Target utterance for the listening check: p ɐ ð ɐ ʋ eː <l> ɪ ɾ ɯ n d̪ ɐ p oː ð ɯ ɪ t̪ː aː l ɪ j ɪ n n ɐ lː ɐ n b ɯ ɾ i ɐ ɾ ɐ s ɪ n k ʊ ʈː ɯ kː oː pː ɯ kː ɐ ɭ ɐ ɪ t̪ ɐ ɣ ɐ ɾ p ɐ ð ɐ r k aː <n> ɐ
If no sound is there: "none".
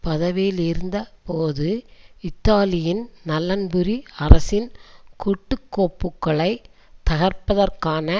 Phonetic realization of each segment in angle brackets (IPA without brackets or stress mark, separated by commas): l, n